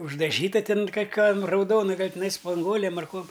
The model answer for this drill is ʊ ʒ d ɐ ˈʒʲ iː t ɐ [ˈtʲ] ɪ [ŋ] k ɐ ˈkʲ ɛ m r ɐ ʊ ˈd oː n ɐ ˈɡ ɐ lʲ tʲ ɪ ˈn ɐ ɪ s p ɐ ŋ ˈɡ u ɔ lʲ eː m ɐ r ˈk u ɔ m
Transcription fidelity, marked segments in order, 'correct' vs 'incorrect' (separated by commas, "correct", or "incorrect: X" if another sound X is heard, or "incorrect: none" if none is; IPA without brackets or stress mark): correct, incorrect: n